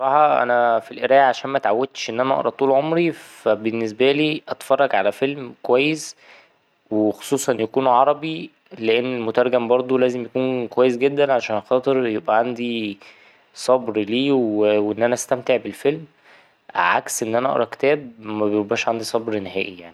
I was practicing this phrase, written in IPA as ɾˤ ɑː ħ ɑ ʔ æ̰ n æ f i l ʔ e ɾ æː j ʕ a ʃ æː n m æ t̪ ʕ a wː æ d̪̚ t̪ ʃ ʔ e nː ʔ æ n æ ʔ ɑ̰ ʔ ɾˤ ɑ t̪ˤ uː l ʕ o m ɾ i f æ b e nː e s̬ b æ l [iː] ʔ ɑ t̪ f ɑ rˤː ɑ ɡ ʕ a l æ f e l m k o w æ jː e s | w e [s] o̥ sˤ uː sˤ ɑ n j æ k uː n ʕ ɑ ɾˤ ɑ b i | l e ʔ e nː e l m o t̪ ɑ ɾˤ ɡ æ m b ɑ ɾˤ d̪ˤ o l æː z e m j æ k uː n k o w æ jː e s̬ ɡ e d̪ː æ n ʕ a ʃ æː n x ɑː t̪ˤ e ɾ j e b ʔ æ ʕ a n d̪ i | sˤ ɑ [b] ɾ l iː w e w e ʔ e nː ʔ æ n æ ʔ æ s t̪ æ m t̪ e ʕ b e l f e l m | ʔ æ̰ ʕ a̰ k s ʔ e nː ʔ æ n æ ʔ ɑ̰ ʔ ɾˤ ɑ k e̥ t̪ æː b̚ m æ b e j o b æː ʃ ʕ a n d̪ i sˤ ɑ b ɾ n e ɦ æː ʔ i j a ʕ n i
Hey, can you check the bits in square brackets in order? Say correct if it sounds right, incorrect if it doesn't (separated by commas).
correct, incorrect, correct